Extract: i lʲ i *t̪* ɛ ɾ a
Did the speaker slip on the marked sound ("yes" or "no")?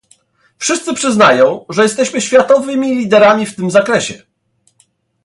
yes